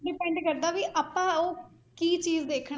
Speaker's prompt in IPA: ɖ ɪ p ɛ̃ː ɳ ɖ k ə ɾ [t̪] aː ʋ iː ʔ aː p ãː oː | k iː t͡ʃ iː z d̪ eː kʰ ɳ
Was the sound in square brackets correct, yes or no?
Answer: no